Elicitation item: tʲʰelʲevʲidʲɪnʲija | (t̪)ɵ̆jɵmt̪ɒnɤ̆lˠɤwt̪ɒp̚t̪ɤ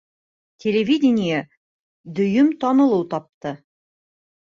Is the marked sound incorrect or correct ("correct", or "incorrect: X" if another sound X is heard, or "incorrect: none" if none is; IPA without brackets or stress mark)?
incorrect: d̪